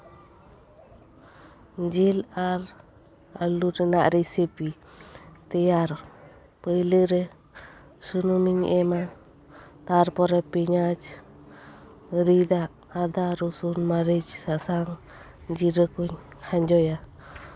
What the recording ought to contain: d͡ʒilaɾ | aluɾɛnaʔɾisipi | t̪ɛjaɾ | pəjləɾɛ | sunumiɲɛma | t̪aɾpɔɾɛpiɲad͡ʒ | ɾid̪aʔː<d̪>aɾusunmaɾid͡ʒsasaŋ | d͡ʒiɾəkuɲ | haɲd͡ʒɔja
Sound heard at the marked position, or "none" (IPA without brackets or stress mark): d̪